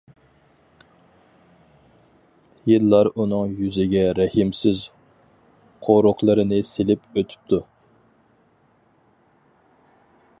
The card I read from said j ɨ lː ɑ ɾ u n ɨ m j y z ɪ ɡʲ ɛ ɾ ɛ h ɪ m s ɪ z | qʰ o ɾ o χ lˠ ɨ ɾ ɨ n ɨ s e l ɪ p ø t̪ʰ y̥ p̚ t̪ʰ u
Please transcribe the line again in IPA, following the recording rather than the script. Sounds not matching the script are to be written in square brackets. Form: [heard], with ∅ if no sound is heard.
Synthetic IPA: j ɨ lː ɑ ɾ u n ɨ [ŋ] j y z ɪ ɡʲ ɛ ɾ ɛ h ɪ m s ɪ z | qʰ o ɾ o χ lˠ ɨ ɾ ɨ n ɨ s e l ɪ p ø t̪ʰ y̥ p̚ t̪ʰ u